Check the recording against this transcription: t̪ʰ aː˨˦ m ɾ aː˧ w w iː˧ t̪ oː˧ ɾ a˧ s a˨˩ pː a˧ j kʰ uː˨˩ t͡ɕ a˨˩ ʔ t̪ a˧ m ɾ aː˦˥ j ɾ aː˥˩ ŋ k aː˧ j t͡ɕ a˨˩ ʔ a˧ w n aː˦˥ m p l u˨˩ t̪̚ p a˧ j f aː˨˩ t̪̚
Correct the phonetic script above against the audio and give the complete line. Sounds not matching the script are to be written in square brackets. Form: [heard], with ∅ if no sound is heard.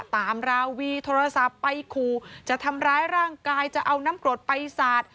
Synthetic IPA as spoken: [t̪] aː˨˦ m ɾ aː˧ w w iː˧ [t̪ʰ] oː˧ ɾ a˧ s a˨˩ pː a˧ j kʰ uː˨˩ t͡ɕ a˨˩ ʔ [t̪ʰ] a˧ m ɾ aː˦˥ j ɾ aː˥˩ ŋ k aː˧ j t͡ɕ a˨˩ ʔ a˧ w n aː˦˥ m [k] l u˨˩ t̪̚ p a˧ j [s] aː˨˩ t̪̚